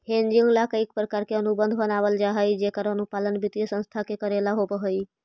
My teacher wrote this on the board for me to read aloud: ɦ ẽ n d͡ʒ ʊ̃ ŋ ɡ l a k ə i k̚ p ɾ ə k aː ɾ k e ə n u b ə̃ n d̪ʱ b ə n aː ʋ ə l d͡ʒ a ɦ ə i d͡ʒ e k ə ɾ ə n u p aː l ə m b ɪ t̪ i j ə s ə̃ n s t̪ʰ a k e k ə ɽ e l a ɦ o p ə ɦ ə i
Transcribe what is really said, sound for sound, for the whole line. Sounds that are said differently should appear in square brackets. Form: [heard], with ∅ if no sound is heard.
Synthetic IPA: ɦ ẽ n d͡ʒ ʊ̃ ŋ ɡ l a k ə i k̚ p ɾ ə k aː ɾ k e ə n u b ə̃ n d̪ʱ b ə n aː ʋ ə l d͡ʒ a ɦ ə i d͡ʒ e k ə ɾ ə n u p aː l ə [n] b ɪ t̪ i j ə s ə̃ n s t̪ʰ a k e k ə [ɾ] e l a ɦ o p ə ɦ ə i